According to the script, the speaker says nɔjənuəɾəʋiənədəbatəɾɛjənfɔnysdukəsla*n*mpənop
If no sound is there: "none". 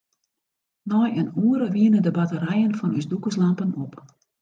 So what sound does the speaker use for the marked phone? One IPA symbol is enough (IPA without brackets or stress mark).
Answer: none